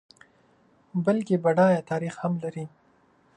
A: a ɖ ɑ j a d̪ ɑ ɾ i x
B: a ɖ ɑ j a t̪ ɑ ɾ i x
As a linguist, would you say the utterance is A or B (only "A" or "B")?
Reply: B